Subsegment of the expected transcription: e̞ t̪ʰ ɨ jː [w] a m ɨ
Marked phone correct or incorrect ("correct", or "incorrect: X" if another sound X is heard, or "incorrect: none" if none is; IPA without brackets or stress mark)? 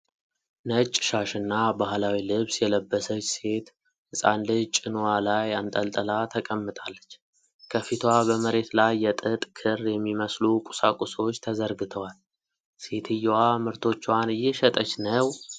correct